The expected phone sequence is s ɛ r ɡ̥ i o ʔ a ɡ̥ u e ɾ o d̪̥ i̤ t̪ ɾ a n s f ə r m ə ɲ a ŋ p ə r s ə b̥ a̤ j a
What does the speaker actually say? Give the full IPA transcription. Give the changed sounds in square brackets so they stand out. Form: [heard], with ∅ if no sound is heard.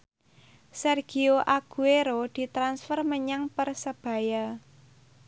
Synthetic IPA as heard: s ɛ r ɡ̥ i o ʔ a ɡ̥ u e ɾ o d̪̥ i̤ t̪ ɾ a n s f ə r m ə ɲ a ŋ p ə r s ə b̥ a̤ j a